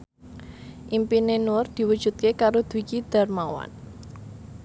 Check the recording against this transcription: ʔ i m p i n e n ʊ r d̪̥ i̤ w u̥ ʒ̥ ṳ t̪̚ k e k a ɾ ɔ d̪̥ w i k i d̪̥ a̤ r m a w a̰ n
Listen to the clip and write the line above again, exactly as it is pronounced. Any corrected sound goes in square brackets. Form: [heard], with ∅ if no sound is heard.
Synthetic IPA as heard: ʔ i m p i n e n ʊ r d̪̥ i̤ w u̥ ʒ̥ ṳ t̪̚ k e k a ɾ [o] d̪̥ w i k i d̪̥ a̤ r m a w a̰ n